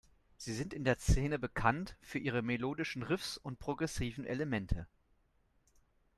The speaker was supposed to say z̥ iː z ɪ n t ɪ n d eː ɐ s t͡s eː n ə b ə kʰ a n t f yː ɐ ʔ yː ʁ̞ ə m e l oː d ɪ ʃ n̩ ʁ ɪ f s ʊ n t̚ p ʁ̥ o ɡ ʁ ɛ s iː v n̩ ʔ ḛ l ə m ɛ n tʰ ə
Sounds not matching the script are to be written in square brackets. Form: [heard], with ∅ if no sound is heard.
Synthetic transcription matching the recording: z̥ iː z ɪ n t ɪ n d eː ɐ s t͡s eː n ə b ə kʰ a n t f yː ɐ ʔ [iː] ʁ̞ ə m e l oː d ɪ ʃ n̩ ʁ ɪ f s ʊ n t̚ p ʁ̥ o ɡ ʁ ɛ s iː v n̩ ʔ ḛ l ə m ɛ n tʰ ə